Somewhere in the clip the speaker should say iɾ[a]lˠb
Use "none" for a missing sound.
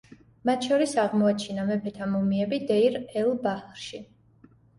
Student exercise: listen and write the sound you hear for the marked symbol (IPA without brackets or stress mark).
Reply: ɛ